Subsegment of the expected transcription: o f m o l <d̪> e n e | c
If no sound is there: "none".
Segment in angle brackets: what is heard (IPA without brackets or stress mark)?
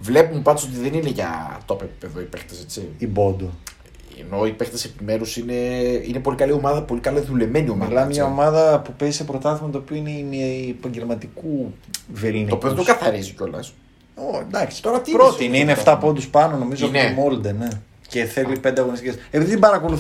d̪